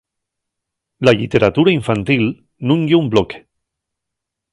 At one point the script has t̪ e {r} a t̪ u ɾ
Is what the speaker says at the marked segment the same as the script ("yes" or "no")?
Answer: no